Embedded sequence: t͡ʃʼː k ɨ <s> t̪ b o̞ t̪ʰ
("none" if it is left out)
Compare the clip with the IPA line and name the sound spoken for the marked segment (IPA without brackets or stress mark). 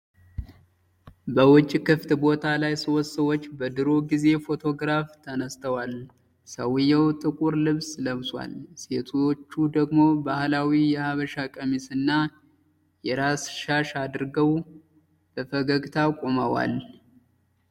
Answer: f